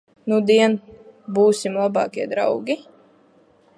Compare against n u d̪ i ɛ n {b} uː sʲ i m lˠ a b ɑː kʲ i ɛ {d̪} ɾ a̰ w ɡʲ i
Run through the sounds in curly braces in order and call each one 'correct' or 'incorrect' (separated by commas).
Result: correct, correct